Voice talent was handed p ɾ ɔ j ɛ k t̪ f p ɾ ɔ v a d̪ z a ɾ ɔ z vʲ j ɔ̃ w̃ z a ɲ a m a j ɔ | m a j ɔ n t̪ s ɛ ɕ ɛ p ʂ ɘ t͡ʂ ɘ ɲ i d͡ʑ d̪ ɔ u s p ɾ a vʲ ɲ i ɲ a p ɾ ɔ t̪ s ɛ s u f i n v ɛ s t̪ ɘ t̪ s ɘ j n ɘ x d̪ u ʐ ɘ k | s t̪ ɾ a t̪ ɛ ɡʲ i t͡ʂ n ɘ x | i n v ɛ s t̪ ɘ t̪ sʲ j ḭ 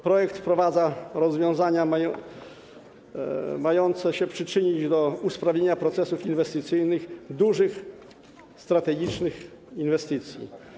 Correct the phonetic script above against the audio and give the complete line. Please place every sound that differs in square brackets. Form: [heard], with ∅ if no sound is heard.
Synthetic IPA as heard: p ɾ ɔ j ɛ k t̪ f p ɾ ɔ v a d̪ z a ɾ ɔ z vʲ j ɔ̃ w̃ z a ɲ a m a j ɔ | m a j ɔ n t̪ s ɛ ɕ ɛ p ʂ ɘ t͡ʂ ɘ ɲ i d͡ʑ d̪ ɔ u s p ɾ a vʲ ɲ [e] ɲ a p ɾ ɔ t̪ s ɛ s u f i n v ɛ s t̪ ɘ t̪ s ɘ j n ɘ x d̪ u ʐ ɘ [x] | s t̪ ɾ a t̪ ɛ ɡʲ i t͡ʂ n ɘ x | i n v ɛ s t̪ ɘ t̪ sʲ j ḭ